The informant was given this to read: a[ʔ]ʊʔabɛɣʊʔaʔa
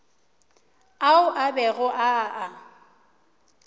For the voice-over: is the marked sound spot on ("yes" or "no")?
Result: no